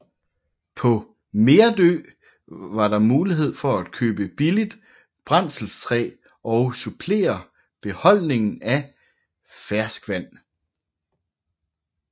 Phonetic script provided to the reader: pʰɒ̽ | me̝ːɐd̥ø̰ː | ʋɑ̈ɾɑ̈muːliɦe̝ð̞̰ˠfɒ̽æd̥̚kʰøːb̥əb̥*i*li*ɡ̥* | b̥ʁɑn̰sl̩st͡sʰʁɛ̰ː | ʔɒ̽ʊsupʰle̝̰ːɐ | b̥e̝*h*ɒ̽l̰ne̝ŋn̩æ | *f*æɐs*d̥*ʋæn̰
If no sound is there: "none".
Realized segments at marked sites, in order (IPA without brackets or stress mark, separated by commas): i, d̥, h, f, ɡ̥